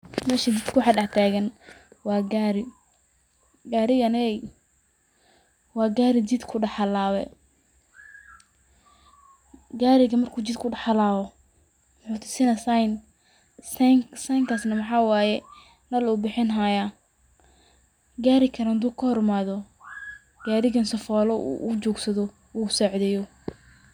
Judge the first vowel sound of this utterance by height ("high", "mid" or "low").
mid